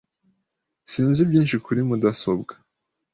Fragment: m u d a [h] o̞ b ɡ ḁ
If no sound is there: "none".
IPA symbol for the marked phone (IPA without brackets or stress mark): s